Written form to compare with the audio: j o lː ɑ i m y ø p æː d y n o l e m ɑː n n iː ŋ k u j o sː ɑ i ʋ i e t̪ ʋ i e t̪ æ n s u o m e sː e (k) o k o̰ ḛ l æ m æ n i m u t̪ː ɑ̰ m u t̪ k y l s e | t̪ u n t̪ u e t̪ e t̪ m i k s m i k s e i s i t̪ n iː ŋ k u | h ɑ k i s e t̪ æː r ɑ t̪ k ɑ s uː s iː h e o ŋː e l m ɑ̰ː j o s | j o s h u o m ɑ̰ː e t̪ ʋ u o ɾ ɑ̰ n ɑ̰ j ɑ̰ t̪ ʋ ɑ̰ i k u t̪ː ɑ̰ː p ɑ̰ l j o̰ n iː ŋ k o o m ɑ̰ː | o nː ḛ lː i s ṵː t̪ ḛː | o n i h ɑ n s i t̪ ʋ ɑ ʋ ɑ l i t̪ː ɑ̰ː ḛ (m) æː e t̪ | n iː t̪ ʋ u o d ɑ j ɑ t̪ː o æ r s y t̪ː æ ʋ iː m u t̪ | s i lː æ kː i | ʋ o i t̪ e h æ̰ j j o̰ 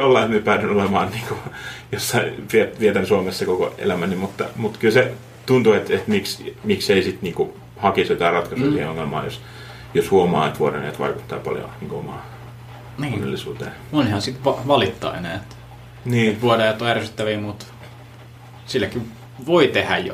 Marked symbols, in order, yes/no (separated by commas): yes, no